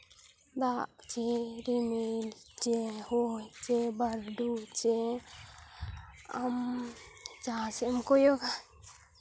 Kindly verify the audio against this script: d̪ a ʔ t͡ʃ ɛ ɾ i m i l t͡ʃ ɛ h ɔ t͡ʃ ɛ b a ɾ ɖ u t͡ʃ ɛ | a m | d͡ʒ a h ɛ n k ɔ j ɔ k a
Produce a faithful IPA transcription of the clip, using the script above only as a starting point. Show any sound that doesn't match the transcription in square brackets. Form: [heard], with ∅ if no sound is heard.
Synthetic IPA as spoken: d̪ a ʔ t͡ʃ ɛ ɾ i m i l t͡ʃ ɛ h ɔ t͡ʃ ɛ b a ɾ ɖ u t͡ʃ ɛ | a m | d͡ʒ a [s] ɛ [m] k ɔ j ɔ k a